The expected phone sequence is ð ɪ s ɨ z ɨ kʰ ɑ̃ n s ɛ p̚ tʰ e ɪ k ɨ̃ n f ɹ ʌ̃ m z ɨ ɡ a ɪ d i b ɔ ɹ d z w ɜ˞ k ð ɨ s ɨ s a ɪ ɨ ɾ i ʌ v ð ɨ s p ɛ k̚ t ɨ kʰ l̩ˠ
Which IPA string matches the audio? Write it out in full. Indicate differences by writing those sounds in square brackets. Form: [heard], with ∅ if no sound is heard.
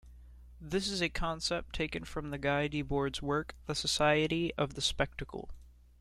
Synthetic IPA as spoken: ð ɪ s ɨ z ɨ kʰ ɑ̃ n s ɛ p̚ tʰ e ɪ k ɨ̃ n f ɹ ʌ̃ m [ð] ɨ ɡ a ɪ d i b ɔ ɹ d z w ɜ˞ k ð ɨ s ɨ s a ɪ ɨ ɾ i ʌ v ð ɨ s p ɛ k̚ t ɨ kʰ l̩ˠ